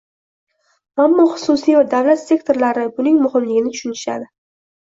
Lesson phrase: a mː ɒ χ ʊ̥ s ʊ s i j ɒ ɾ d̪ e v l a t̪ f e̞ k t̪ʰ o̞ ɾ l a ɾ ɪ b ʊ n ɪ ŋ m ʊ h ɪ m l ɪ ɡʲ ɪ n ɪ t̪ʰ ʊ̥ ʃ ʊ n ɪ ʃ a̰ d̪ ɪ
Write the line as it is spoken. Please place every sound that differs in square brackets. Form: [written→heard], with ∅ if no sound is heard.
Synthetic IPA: a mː ɒ χ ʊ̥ s ʊ s i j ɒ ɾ d̪ [e→a] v l a t̪ [f→s] e̞ k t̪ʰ o̞ ɾ l a ɾ ɪ b ʊ n ɪ ŋ m ʊ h ɪ m l ɪ ɡʲ ɪ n ɪ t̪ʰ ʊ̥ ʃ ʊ n ɪ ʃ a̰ d̪ ɪ